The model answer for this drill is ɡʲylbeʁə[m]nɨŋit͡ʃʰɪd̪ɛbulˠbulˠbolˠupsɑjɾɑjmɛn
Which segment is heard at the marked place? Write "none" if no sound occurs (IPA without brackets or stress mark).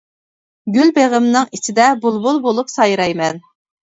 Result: m